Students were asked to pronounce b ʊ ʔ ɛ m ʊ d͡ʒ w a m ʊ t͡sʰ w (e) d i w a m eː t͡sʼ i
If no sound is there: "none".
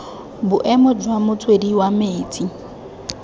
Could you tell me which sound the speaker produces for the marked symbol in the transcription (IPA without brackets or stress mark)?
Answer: e